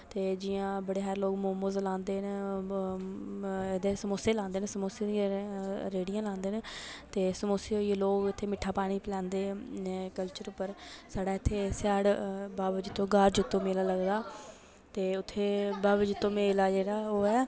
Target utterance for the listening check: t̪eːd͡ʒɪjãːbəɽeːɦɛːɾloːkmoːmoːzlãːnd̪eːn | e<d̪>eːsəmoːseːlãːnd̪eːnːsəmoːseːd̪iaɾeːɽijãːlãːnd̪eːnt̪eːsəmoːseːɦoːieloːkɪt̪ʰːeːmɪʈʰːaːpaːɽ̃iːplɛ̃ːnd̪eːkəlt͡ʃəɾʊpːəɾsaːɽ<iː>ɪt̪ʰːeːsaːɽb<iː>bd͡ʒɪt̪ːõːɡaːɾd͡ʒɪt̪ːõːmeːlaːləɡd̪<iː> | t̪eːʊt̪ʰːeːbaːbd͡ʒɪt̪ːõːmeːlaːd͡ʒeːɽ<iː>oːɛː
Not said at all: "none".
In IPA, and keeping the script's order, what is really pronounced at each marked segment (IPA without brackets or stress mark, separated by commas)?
d̪, aː, aː, aː, aː